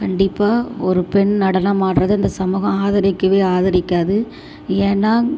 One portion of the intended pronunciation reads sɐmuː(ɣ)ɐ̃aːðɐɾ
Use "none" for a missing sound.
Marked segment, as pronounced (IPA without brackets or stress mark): ɣ